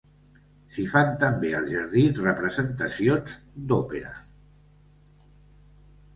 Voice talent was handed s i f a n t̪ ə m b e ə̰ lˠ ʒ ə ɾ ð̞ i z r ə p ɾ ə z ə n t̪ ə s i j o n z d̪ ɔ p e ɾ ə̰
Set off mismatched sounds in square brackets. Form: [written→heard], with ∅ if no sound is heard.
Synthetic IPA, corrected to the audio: s i f a n t̪ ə m b e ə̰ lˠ ʒ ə ɾ ð̞ i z r ə p ɾ ə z ə n t̪ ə s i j o n z d̪ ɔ p e ɾ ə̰

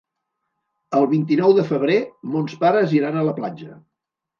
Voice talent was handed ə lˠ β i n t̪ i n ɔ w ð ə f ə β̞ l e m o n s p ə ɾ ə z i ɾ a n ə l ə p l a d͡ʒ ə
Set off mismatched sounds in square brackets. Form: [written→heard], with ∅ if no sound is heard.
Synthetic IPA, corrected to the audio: ə lˠ β i n t̪ i n ɔ w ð ə f ə β̞ [l→ɾ] e m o n s p [ə→a] ɾ ə z i ɾ a n ə l ə p l a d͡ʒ ə

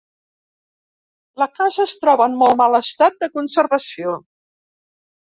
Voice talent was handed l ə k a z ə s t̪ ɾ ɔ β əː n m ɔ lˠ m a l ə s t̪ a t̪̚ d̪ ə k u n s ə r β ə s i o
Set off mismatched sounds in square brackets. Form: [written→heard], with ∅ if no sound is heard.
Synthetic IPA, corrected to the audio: l ə k a z ə s t̪ ɾ ɔ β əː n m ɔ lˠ m a l ə s t̪ a t̪̚ d̪ ə k u n s ə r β ə s i o

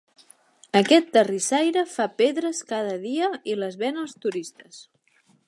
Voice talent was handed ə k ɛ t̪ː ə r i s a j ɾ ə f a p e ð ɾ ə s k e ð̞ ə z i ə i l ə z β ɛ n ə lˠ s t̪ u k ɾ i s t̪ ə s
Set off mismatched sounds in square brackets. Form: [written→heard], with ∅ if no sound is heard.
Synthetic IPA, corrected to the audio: ə k ɛ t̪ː ə r i s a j ɾ ə f a p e ð ɾ ə s k [e→a] ð̞ ə [z→ð] i ə i l ə z β ɛ n ə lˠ s t̪ u [k→∅] ɾ i s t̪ ə s

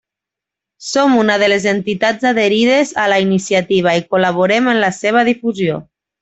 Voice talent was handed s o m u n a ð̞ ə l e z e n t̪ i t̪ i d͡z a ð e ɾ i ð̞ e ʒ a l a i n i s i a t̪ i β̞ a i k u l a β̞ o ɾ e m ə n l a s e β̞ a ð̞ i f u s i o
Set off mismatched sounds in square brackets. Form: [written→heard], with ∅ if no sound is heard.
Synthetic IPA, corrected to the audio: s o m u n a ð̞ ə l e z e n t̪ i t̪ [i→a] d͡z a ð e ɾ i ð̞ e [ʒ→z] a l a i n i s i a t̪ i β̞ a i k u l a β̞ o ɾ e m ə n l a s e β̞ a ð̞ i f u [s→z] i o

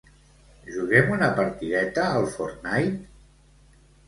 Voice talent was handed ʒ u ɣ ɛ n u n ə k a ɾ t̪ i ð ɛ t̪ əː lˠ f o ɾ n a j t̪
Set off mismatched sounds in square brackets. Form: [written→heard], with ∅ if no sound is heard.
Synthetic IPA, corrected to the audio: ʒ u ɣ ɛ [n→m] u n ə [k→p] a ɾ t̪ i ð ɛ t̪ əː lˠ f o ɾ n a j t̪

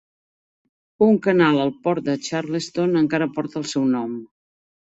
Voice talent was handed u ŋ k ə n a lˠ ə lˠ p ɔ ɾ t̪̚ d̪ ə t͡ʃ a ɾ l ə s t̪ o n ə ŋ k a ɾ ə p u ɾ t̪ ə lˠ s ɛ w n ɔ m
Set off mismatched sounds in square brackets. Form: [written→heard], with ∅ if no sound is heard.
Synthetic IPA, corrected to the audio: u ŋ k ə n a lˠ ə lˠ p ɔ ɾ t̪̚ d̪ ə t͡ʃ a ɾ l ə s t̪ o n ə ŋ k a ɾ ə p [u→ɔ] ɾ t̪ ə lˠ s ɛ w n ɔ m

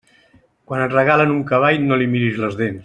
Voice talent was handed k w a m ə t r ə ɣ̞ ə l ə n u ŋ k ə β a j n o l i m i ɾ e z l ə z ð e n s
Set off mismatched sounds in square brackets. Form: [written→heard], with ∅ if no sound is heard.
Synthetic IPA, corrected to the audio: k w a [m→n] ə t r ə ɣ̞ [ə→a] l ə n u ŋ k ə β a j n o l i m i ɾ [e→i] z l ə z ð e n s

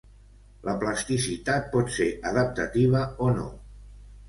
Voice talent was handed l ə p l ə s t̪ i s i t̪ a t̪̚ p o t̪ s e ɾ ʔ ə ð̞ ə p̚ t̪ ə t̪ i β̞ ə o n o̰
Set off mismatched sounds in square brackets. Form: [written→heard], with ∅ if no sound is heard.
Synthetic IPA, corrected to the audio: l ə p l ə s t̪ i s i t̪ a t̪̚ p [o→ɔ] t̪ s e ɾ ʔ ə ð̞ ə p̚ t̪ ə t̪ i β̞ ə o n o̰

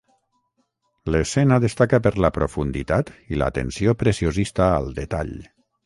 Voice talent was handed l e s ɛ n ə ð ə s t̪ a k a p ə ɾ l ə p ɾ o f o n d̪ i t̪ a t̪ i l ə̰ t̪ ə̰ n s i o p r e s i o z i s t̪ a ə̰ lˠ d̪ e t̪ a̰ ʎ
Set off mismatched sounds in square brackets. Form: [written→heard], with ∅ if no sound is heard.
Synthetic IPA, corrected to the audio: l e s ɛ n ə ð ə s t̪ a k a p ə ɾ l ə p ɾ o f [o→u] n d̪ i t̪ a t̪ i l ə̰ t̪ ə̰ n s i o p [r→ɾ] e s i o z i s t̪ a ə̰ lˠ d̪ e t̪ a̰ ʎ

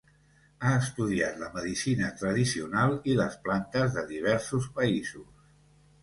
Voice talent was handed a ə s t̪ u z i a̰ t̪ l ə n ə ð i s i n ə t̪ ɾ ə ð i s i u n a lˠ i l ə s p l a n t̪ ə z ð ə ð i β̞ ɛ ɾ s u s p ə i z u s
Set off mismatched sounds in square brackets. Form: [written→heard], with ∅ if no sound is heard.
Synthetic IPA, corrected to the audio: a ə s t̪ u [z→ð] i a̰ t̪ l ə [n→m] ə ð i s i n ə t̪ ɾ ə ð i s i u n a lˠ i l ə s p l a n t̪ ə z ð ə ð i β̞ ɛ ɾ s u s p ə i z u s

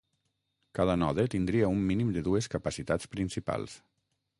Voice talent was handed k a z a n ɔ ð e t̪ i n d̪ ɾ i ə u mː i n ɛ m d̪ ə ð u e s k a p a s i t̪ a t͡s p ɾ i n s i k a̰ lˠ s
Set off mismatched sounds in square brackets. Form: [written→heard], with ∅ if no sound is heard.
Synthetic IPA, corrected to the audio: k a [z→ð] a n ɔ ð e t̪ i n d̪ ɾ i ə u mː i n [ɛ→i] m d̪ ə ð u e s k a p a s i t̪ a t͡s p ɾ i n s i [k→p] a̰ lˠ s

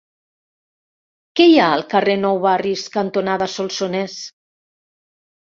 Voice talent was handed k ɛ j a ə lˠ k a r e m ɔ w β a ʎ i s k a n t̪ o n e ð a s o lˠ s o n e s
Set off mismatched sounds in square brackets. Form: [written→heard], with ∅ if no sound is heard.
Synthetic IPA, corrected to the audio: k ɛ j a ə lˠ k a r e [m→n] ɔ w β a [ʎ→r] i s k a n t̪ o n [e→a] ð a s o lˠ s o n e s

